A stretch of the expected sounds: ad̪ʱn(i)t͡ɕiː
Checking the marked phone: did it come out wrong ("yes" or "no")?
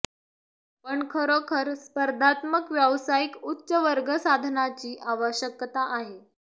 yes